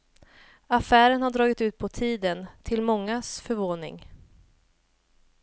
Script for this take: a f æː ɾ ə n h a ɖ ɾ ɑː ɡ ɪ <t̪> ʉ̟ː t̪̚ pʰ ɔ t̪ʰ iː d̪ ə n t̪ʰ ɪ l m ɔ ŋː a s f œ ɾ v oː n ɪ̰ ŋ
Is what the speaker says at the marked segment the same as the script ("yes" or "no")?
yes